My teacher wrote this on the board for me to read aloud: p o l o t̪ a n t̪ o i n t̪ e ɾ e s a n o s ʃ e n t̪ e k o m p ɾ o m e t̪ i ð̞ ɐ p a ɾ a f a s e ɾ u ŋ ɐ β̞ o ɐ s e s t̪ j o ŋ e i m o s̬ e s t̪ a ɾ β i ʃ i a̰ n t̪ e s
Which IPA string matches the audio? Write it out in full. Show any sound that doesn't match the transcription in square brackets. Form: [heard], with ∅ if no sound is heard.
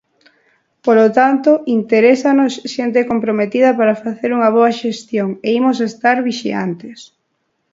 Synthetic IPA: p o l o t̪ a n t̪ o i n t̪ e ɾ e s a n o s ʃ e n t̪ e k o m p ɾ o m e t̪ i ð̞ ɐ p a ɾ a f a [θ] e ɾ u ŋ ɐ β̞ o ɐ [ʃ] e s t̪ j o ŋ e i m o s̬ e s t̪ a ɾ β i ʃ i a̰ n t̪ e s